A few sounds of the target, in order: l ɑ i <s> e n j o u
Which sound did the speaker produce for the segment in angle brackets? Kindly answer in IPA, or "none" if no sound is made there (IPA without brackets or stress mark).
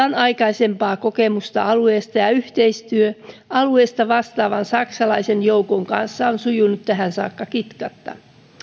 s